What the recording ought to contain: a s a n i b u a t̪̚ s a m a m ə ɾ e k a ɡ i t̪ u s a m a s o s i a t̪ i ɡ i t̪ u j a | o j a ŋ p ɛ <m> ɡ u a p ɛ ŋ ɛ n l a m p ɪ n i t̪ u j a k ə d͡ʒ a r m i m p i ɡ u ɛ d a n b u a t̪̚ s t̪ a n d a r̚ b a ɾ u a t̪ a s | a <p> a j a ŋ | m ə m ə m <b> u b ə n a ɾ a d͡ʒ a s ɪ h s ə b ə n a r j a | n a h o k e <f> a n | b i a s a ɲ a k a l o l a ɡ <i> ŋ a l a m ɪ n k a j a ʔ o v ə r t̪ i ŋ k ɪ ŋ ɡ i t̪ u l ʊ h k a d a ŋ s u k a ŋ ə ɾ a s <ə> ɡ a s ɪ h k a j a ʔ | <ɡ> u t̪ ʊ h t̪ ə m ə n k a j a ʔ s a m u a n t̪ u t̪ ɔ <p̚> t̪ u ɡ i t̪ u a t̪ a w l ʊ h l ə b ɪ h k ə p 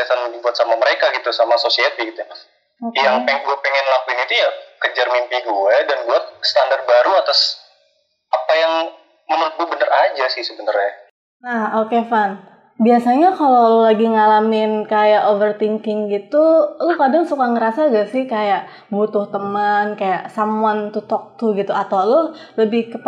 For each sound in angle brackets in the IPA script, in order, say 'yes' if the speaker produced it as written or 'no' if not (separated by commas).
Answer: no, yes, no, yes, yes, no, no, no